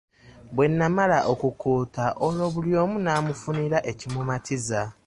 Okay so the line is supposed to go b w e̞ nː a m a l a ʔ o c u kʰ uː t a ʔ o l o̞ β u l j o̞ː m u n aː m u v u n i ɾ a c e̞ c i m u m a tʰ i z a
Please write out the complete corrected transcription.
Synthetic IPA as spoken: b w e̞ nː a m a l a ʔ o k u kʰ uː t a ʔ o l o̞ β u l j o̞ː m u n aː m u f u n i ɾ a ʔ e̞ c i m u m a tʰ i z a